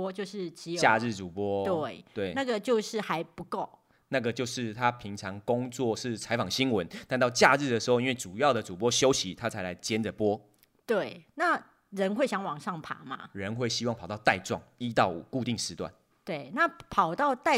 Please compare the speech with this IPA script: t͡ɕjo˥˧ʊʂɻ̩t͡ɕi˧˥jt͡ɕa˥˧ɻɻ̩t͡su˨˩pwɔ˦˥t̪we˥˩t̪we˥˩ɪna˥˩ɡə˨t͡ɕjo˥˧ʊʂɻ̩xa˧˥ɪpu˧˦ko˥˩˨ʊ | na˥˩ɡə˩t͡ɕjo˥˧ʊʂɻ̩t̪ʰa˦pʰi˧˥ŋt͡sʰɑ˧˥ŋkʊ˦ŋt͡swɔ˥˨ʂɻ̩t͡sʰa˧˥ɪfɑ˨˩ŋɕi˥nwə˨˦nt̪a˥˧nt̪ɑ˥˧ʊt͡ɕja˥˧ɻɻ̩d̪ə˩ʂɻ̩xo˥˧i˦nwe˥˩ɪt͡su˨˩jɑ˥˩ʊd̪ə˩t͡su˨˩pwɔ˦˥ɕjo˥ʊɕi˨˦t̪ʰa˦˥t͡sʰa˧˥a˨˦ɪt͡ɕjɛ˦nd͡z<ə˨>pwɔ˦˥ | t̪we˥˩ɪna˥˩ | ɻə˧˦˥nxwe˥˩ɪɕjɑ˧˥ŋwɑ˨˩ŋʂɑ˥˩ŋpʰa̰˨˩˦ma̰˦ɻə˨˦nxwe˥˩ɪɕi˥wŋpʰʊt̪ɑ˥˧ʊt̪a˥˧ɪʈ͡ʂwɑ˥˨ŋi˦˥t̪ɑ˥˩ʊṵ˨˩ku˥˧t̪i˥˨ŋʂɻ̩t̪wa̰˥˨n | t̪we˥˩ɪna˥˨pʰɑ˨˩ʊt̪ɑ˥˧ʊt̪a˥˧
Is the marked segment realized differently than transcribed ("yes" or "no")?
no